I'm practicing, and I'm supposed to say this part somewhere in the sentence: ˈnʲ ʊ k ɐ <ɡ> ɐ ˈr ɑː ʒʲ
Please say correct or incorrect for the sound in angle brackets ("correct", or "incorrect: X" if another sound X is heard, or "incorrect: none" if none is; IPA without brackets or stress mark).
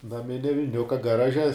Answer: correct